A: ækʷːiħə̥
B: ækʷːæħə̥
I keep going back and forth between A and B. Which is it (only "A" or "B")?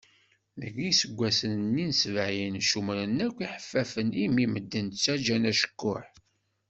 A